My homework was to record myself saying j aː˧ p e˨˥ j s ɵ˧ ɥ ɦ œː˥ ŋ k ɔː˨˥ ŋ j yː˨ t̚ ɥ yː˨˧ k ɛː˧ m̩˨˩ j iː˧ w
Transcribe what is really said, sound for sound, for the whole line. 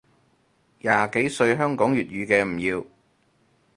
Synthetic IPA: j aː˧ k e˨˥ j s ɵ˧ ɥ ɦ œː˥ ŋ k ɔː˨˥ ŋ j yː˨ t̚ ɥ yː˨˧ k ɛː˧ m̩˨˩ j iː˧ w